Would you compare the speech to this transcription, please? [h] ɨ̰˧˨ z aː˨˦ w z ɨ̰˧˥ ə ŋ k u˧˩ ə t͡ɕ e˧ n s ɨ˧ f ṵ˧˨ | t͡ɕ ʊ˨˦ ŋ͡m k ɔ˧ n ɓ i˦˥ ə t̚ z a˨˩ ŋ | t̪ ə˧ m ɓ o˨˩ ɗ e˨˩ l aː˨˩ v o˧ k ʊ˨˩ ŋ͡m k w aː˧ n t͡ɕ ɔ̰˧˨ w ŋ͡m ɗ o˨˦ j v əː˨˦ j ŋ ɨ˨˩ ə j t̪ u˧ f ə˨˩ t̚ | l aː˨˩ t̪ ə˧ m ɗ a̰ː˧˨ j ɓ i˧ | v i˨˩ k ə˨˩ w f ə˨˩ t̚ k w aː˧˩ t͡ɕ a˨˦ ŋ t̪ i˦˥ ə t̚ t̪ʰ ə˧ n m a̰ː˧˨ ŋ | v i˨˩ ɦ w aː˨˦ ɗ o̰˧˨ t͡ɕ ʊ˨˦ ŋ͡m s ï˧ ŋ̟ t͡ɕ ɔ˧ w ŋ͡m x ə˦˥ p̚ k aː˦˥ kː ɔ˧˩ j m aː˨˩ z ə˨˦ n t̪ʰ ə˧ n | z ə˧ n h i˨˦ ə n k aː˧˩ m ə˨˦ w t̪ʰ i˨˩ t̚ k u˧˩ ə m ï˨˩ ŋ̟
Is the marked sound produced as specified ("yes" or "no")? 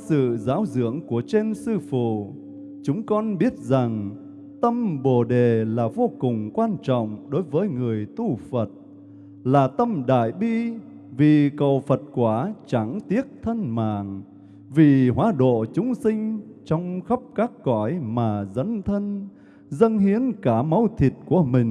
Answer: no